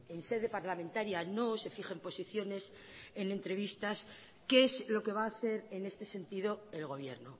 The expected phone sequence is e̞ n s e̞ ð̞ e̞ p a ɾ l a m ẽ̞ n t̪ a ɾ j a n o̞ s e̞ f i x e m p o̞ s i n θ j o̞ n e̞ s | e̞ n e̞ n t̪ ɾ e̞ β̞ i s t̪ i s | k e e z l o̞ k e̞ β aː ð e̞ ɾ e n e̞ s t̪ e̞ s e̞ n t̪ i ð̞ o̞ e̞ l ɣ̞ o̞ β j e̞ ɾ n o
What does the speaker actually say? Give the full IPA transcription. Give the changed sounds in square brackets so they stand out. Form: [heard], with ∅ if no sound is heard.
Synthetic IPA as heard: e̞ n s e̞ ð̞ e̞ p a ɾ l a m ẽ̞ n t̪ a ɾ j a n o̞ s e̞ f i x e m p o̞ s i [∅] θ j o̞ n e̞ s | e̞ n e̞ n t̪ ɾ e̞ β̞ i s t̪ [a] s | k e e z l o̞ k e̞ β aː [θ] e̞ ɾ e n e̞ s t̪ e̞ s e̞ n t̪ i ð̞ o̞ e̞ l ɣ̞ o̞ β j e̞ ɾ n o